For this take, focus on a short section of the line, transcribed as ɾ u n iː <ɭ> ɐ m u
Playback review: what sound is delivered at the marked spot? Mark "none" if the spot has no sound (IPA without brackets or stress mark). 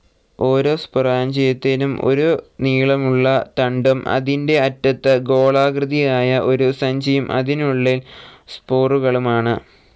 ɭ